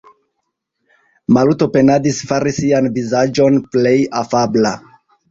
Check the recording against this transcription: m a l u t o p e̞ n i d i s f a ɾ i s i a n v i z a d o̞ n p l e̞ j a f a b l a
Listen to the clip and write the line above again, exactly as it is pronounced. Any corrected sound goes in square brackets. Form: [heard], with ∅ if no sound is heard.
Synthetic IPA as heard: m a l u t o p e̞ n [a] d i s f a ɾ i s i a n v i z a [d͡ʒ] o̞ n p l e̞ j a f a b l a